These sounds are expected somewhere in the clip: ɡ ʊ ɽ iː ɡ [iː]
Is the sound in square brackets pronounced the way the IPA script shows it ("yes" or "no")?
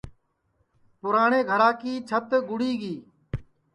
yes